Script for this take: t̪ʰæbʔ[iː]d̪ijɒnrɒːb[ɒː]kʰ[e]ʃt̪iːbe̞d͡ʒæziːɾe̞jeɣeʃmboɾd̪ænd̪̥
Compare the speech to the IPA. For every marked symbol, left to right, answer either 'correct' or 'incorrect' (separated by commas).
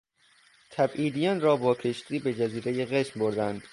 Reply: correct, correct, correct